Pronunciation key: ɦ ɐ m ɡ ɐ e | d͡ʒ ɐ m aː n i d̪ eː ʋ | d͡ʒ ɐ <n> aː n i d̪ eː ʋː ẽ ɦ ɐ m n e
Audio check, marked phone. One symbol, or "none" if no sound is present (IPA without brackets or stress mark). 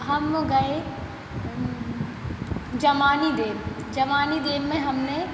m